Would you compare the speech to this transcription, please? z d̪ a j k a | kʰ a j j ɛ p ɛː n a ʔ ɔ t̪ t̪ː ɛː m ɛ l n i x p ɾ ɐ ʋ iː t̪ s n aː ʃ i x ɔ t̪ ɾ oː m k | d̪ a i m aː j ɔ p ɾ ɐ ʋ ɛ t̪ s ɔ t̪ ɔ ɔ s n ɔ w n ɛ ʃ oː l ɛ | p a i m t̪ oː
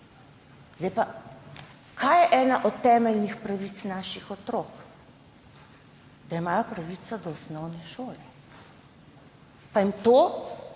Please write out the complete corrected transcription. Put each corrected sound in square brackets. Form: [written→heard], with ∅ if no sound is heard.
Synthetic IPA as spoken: z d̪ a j [k→p] a | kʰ a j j ɛ [p→ʔ] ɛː n a ʔ ɔ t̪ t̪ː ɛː m ɛ l n i x p ɾ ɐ ʋ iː t̪ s n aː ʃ i x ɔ t̪ ɾ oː [m→∅] k | d̪ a i m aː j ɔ p ɾ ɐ ʋ [ɛ→i] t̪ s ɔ [t̪→d̪] ɔ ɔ s n ɔ w n ɛ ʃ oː l ɛ | p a i m t̪ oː